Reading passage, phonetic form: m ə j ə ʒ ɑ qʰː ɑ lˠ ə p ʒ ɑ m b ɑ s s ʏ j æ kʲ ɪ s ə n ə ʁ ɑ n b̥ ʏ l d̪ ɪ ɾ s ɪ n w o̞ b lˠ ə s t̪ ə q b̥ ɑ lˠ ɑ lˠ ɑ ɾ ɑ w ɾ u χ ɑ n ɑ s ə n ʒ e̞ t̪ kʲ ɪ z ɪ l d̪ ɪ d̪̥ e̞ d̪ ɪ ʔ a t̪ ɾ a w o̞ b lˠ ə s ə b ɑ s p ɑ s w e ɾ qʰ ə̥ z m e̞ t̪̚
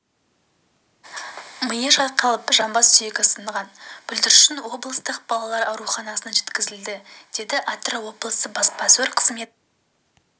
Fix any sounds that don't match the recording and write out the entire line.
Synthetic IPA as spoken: m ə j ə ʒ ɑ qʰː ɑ lˠ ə p ʒ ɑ m b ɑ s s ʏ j e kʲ ɪ s ə n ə ʁ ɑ n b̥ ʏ l d̪ ɪ ɾ ʃ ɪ n w o̞ b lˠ ə s t̪ ə q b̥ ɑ lˠ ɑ lˠ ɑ ɾ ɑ w ɾ u χ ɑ n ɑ s ə n ʒ e̞ t̪ kʲ ɪ z ɪ l d̪ ɪ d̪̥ e̞ d̪ ɪ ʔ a t̪ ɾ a w o̞ b lˠ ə s ə b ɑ s p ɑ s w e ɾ qʰ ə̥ z m e̞ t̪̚